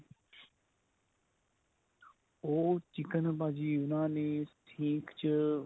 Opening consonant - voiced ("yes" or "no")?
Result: no